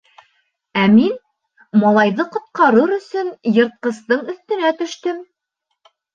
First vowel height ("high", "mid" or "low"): low